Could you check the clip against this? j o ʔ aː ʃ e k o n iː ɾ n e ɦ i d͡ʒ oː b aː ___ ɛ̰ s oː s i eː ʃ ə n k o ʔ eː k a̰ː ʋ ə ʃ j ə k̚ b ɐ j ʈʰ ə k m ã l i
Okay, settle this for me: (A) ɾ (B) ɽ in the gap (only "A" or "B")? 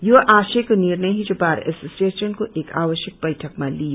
A